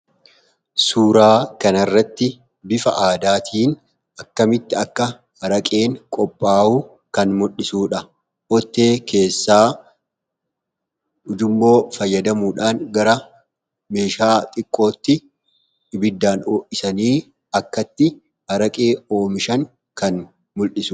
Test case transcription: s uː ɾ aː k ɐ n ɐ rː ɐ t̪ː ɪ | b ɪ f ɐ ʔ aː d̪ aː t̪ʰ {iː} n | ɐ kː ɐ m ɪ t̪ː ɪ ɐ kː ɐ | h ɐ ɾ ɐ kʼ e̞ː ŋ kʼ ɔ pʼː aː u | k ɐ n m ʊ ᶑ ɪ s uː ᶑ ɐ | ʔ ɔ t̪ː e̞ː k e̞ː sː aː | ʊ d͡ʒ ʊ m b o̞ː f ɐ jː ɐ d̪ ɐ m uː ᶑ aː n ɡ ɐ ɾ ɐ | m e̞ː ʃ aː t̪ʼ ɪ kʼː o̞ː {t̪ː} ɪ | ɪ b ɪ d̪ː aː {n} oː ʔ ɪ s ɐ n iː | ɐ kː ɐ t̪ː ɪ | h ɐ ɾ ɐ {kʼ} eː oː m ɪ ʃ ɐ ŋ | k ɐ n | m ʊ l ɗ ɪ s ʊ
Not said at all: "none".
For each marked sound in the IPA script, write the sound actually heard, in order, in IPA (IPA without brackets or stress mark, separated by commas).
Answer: iː, t̪ː, n, kʼ